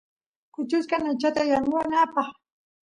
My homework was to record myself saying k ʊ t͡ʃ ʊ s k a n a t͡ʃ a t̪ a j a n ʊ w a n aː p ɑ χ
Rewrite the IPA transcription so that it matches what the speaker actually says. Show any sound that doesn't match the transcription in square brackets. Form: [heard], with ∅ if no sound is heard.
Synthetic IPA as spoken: k ʊ t͡ʃ ʊ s k a n a t͡ʃ a t̪ a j a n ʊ w a n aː p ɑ χ